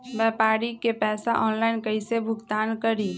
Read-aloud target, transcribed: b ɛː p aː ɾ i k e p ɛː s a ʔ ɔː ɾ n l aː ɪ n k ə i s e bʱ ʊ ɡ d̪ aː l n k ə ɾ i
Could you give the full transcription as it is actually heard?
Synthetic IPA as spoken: b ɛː p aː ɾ i k e p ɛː s a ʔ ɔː n l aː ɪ n k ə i s e bʱ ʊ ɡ t̪ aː n k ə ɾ i